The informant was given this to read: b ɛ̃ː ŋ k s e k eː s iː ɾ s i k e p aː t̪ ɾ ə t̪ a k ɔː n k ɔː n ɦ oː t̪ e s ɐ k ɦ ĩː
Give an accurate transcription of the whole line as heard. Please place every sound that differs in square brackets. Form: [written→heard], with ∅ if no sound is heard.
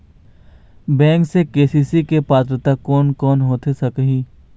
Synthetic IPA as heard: b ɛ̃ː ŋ k s e k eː s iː [ɾ→∅] s i k e p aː t̪ ɾ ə t̪ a k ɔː n k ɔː n ɦ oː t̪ e s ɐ k ɦ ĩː